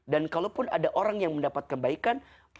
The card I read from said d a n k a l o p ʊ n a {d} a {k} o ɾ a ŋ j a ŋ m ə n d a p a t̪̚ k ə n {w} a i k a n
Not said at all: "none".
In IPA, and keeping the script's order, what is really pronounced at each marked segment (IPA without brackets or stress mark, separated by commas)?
d, ʔ, b